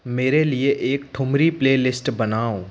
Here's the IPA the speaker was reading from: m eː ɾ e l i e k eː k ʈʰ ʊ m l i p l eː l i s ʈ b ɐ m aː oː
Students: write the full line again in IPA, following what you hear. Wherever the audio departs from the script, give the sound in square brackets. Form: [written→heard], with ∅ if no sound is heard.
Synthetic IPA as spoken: m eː ɾ e l i e [k→ʔ] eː k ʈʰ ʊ m [l→ɾ] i p l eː l [i→ɪ] s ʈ b ɐ [m→n] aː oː